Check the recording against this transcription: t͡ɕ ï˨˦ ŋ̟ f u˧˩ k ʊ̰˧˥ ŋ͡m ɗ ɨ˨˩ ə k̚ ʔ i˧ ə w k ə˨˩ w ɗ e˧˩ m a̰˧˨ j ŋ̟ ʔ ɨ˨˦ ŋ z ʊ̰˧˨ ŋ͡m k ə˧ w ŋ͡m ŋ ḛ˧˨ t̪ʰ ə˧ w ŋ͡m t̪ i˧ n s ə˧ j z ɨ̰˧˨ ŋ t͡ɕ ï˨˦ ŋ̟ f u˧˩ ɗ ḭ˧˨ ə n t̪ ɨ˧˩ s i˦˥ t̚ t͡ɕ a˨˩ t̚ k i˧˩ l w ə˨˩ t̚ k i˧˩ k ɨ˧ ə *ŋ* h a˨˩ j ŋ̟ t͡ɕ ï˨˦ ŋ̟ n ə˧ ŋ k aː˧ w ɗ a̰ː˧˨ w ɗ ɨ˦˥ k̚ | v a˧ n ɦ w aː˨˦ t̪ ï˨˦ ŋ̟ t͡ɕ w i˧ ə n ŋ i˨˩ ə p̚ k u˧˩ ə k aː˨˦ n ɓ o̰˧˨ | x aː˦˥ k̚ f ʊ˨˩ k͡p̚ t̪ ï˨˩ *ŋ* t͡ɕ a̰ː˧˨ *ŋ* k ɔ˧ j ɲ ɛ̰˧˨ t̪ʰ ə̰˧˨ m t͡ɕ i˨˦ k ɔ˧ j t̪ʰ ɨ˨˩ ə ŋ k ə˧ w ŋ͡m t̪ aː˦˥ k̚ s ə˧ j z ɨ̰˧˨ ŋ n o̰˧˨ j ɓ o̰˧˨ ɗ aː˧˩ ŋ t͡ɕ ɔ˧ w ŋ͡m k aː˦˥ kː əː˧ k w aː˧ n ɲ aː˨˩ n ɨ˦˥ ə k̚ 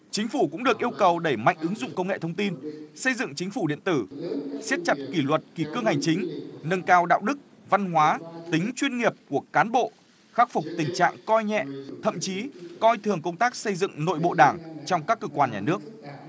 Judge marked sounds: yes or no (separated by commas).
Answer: yes, yes, yes